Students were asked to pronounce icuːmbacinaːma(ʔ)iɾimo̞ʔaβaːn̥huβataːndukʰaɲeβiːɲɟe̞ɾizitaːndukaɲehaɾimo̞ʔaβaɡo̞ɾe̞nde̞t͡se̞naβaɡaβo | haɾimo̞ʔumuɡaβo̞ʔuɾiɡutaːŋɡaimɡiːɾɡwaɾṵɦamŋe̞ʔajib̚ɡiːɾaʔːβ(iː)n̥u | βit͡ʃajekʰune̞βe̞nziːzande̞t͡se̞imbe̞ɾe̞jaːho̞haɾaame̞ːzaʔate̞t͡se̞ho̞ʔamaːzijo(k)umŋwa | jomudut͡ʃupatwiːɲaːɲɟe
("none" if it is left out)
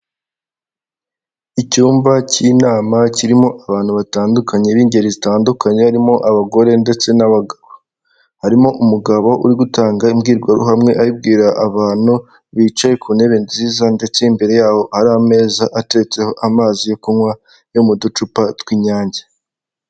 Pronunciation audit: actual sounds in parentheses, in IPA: c, aː, k

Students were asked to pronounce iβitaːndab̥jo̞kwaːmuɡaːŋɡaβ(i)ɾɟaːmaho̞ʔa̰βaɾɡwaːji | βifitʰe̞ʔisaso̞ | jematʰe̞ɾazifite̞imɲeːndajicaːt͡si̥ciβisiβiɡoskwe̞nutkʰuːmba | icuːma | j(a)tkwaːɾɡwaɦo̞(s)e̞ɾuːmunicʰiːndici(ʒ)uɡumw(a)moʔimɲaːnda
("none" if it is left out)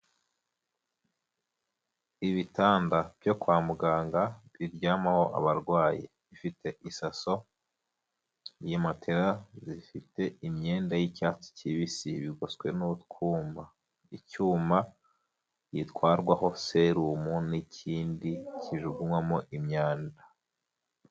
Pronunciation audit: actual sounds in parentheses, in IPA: i, i, s, ʒ, a

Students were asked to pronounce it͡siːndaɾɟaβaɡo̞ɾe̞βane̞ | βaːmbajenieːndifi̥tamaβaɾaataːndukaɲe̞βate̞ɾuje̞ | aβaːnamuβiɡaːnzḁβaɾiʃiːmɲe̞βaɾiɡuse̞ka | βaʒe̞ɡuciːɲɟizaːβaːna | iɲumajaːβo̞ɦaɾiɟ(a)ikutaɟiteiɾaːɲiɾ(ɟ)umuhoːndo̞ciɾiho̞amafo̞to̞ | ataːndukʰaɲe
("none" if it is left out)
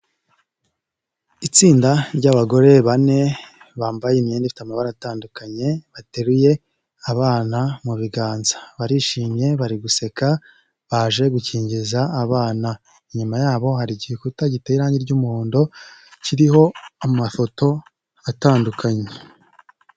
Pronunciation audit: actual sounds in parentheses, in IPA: i, ɟ

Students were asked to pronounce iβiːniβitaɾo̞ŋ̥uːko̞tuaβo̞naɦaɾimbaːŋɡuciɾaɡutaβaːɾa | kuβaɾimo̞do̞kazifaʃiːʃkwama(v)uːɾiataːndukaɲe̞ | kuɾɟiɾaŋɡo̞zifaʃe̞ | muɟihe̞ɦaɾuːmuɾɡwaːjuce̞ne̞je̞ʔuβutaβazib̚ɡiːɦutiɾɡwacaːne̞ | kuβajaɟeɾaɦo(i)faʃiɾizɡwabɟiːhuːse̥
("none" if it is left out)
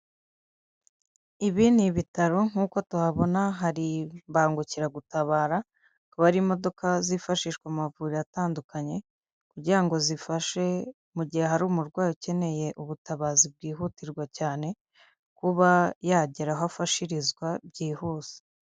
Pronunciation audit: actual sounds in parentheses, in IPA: v, a

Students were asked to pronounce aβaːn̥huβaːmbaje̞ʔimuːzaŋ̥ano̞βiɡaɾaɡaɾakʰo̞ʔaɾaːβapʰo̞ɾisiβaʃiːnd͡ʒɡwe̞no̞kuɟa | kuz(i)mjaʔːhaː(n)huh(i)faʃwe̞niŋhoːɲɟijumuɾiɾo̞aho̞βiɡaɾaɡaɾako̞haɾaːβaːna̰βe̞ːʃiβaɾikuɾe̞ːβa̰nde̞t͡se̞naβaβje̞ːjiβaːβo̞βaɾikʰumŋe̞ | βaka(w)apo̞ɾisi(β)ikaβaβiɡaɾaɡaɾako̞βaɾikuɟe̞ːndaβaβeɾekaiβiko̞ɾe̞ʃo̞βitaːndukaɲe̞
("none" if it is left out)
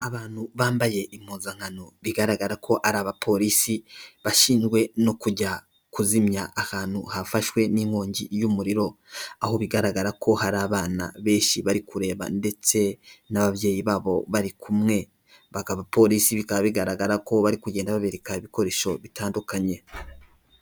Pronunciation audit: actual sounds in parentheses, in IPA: i, n, a, β, β

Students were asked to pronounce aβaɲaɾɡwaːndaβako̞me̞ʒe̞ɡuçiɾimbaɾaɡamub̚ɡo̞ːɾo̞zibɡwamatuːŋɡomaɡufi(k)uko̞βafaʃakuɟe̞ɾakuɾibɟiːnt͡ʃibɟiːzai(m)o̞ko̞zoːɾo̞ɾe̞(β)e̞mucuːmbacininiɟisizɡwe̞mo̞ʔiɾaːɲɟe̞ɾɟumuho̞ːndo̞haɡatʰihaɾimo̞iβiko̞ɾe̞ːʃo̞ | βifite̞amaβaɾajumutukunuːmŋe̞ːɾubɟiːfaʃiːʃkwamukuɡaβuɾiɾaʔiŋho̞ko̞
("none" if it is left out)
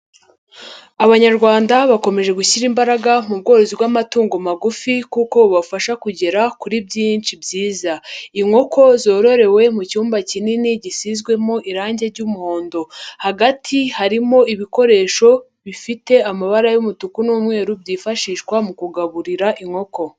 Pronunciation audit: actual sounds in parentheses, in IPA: k, ŋ, w

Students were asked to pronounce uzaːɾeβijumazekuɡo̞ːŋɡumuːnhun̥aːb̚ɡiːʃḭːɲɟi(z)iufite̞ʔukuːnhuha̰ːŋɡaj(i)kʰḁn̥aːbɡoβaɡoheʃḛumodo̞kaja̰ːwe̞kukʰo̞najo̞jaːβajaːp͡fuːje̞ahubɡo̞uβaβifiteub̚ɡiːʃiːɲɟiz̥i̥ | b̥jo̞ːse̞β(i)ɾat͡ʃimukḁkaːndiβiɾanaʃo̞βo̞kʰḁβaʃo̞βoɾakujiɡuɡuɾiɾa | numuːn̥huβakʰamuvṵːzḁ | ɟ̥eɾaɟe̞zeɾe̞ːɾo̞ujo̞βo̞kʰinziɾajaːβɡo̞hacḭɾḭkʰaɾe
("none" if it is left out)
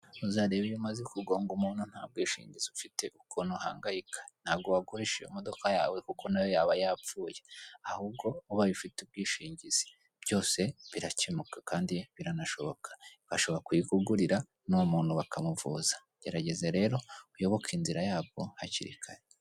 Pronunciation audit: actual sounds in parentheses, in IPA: z, i, i

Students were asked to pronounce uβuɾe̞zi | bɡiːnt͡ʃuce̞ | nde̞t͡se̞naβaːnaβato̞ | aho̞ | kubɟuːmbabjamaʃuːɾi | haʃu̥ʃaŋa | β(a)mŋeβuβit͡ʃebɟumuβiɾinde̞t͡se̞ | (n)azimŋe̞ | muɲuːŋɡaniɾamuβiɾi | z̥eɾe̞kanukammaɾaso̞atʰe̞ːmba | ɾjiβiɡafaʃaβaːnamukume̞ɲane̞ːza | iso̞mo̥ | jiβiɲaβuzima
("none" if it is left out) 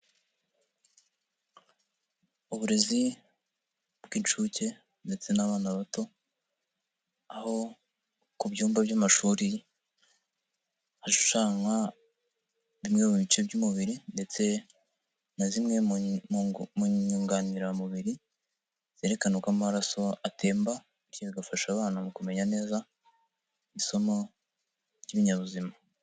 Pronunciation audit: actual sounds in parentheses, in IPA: i, n

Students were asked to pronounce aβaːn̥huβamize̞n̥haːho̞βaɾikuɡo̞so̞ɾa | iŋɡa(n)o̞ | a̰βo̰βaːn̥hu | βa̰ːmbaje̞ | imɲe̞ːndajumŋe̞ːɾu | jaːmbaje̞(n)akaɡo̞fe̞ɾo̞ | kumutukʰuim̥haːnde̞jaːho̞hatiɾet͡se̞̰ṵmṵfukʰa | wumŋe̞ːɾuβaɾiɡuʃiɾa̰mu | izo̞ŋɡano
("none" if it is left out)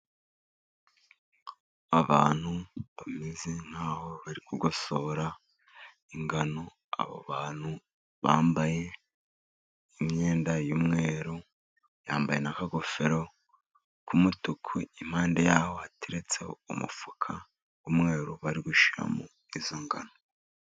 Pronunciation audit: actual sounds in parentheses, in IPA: n, n

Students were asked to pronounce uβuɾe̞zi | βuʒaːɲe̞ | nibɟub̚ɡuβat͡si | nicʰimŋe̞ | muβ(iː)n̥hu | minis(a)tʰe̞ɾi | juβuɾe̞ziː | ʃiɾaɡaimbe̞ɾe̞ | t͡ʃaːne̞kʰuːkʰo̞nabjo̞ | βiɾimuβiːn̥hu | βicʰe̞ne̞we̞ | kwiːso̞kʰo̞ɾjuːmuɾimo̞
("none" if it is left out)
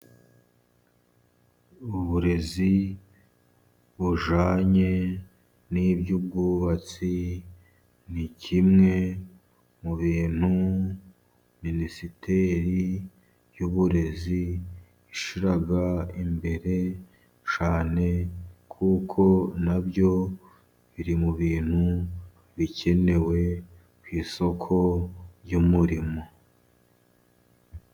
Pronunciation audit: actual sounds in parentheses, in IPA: iː, i

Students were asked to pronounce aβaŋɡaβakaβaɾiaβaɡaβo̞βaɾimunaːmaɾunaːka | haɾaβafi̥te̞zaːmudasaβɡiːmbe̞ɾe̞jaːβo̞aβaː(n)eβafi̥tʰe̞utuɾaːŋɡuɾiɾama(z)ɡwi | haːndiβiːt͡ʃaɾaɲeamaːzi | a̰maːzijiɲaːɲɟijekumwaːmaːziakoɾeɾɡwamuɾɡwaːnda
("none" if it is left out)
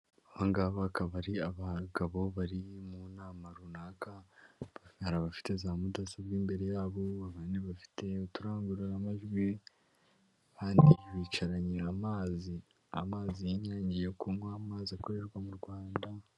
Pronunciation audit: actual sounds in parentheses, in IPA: n, ʒ

